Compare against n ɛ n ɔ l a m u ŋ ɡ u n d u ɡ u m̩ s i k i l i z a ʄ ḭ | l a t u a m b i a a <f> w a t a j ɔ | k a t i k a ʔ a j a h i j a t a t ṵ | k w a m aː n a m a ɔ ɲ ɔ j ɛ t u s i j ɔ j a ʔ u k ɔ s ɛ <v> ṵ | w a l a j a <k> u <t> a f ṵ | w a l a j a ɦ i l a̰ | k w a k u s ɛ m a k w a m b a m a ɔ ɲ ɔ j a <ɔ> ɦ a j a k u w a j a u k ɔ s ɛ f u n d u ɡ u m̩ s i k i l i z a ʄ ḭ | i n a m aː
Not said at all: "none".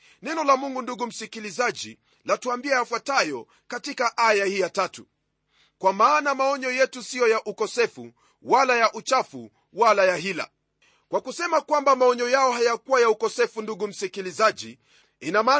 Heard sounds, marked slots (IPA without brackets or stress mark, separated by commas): f, f, ʔ, t͡ʃ, ɔ